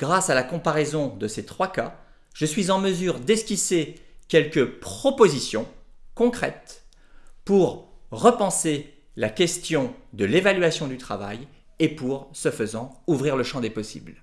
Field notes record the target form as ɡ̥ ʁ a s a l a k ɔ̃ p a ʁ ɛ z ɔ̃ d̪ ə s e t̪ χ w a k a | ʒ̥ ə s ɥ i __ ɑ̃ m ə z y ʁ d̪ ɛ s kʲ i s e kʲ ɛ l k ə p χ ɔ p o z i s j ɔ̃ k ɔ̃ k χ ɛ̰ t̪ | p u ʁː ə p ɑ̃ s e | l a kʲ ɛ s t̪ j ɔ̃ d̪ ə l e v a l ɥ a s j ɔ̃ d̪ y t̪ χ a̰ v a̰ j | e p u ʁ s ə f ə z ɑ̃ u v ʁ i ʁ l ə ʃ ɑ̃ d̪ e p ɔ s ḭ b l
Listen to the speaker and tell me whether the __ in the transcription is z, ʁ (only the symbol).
z